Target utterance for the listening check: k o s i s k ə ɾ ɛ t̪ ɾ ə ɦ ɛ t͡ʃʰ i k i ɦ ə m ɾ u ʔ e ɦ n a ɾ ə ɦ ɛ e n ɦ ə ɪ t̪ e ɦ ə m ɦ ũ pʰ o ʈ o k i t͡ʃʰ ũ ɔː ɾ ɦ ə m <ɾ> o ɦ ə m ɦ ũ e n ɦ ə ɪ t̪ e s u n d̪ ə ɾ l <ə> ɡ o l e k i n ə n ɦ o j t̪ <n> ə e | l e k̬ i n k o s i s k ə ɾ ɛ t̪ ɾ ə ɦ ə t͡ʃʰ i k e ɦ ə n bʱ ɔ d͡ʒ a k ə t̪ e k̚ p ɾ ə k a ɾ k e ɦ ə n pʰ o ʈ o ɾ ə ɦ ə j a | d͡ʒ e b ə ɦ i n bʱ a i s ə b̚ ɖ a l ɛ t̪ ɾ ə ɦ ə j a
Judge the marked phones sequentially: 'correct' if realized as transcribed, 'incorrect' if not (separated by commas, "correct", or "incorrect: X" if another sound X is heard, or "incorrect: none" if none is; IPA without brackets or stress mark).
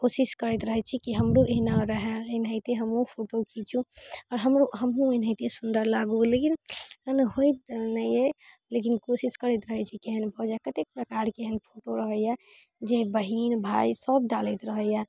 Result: correct, incorrect: a, correct